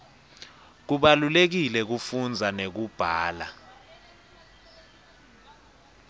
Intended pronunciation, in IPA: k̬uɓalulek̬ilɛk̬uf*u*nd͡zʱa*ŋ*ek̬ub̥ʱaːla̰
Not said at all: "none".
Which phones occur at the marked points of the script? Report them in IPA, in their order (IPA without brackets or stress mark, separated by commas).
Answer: u, n